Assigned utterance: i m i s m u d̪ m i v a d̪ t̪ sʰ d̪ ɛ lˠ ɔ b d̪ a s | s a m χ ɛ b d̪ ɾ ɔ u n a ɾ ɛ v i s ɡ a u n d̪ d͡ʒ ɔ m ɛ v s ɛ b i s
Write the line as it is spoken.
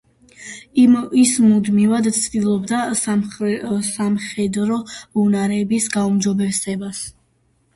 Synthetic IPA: i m i s m u d̪ m i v a d̪ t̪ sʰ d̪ i lˠ ɔ b d̪ a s | s a m χ ɛ d̪ ɾ ɔ u n a ɾ ɛ b i s ɡ a u m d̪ d͡ʒ ɔ b ɛ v s ɛ b a s